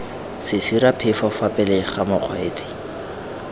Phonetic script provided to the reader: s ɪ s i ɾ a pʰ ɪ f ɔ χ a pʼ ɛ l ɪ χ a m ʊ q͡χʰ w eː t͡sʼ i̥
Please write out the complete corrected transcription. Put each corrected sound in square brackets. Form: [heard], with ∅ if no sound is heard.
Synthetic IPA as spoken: s ɪ s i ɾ a pʰ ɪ f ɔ [f] a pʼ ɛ l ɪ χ a m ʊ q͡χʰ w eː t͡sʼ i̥